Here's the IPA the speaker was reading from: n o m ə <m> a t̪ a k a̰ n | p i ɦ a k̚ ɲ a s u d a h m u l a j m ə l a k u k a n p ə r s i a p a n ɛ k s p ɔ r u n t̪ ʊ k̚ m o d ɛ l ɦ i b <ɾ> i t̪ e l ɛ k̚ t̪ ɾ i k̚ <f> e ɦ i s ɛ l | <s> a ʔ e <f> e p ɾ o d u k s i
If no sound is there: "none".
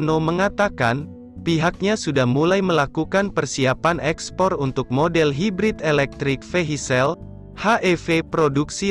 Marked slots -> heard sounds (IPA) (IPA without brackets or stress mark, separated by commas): ŋ, ɾ, f, h, f